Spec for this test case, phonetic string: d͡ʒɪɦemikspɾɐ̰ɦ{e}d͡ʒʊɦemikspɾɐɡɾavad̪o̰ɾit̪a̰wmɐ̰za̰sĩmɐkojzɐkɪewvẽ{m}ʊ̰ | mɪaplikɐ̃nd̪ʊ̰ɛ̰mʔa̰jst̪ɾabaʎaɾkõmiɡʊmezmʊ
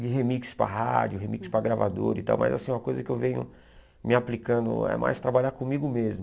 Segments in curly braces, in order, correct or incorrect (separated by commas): incorrect, incorrect